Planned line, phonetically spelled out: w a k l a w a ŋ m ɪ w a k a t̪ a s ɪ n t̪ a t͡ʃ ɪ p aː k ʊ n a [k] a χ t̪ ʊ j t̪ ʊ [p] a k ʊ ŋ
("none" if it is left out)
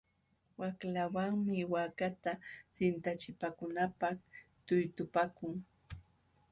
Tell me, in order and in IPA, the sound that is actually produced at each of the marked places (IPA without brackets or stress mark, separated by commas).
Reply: p, p